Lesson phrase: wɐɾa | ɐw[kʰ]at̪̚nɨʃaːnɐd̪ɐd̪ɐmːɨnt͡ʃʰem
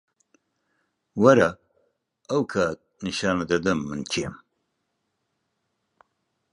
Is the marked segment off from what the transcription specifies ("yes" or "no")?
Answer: no